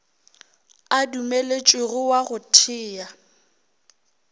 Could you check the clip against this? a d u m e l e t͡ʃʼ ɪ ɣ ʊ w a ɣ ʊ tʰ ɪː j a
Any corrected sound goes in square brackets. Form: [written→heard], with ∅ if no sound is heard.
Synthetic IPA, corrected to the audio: a d u m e l e t͡ʃʼ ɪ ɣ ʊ w a ɣ ʊ tʰ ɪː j a